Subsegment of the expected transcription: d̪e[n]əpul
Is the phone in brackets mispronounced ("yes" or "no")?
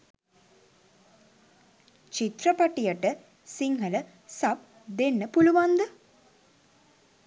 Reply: yes